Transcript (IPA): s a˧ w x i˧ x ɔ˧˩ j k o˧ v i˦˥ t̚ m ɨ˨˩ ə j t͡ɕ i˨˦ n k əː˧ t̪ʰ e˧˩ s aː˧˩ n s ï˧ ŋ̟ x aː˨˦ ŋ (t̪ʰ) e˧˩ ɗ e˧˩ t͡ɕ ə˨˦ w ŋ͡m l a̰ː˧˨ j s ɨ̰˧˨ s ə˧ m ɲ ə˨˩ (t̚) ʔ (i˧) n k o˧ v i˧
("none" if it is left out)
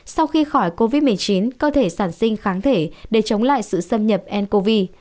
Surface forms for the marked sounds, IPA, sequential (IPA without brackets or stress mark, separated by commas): t̪ʰ, p̚, ɛ˧